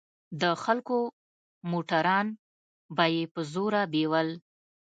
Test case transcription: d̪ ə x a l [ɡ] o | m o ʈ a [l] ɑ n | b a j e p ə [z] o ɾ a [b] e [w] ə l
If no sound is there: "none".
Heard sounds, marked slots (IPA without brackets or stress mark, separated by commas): k, ɾ, z, b, w